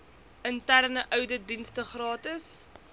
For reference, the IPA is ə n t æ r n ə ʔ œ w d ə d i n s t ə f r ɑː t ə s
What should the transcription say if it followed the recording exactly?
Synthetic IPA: ə n t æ r n ə ʔ œ w d ə d i n s t ə χ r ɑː t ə s